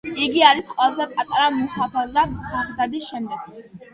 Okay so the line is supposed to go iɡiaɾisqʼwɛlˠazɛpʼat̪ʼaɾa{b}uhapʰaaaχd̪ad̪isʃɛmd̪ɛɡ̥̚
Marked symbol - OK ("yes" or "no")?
no